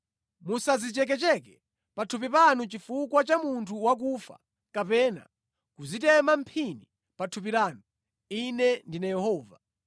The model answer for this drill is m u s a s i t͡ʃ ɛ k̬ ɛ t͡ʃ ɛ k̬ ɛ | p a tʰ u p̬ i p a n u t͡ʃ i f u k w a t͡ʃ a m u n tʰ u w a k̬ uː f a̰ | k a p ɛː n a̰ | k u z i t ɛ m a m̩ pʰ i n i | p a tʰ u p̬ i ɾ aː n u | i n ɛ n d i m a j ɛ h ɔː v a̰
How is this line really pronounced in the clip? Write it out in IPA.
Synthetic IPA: m u s a z i t͡ʃ ɛ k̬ ɛ t͡ʃ ɛ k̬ ɛ | p a tʰ u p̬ i p a n u t͡ʃ i f u k w a t͡ʃ a m u n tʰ u w a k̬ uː f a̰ | k a p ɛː n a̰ | k u z i t ɛ m a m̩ pʰ i n i | p a tʰ u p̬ i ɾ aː n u | i n ɛ n d i n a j ɛ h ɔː v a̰